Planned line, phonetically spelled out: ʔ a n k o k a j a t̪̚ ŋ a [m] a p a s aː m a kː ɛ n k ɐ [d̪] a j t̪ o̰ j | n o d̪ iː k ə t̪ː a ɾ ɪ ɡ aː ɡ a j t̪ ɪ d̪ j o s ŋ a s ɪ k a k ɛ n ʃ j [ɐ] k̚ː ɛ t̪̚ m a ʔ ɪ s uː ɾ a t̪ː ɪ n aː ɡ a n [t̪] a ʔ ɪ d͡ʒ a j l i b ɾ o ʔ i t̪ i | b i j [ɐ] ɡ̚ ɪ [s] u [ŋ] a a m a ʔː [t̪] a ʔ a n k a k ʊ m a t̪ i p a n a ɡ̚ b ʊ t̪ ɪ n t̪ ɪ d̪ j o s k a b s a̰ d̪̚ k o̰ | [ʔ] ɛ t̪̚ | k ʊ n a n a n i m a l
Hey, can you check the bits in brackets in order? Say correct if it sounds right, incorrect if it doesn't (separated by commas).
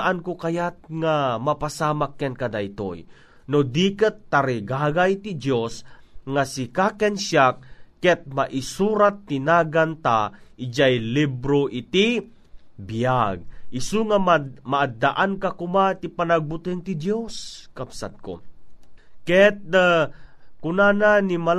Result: correct, correct, incorrect, correct, incorrect, correct, correct, incorrect, incorrect